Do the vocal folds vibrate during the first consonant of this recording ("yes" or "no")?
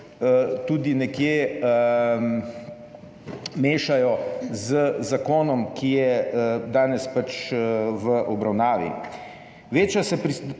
no